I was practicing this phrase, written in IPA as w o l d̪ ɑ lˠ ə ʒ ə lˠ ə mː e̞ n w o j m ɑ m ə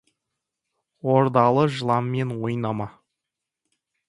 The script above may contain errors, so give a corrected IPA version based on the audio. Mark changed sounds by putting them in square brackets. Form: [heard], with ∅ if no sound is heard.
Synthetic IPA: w o [ɾ] d̪ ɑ lˠ ə ʒ ə lˠ [ɑ] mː e̞ n w o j [n] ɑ m [ɑ]